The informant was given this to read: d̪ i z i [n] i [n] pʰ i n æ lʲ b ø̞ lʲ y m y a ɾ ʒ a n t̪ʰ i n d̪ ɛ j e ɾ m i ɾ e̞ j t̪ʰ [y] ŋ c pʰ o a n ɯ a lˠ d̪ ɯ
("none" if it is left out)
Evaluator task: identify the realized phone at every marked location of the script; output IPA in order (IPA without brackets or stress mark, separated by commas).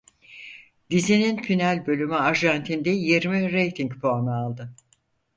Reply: n, n, i